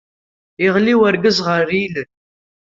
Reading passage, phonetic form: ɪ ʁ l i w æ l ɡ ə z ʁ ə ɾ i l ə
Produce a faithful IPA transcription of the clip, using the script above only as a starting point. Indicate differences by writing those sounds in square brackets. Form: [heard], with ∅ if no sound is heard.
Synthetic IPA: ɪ ʁ l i w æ [ɾ] ɡ ə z ʁ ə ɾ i l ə